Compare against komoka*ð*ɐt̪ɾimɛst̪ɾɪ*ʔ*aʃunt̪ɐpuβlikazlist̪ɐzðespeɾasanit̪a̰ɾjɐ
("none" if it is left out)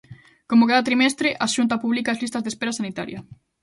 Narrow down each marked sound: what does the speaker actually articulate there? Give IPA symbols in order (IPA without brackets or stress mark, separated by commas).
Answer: ð, ʔ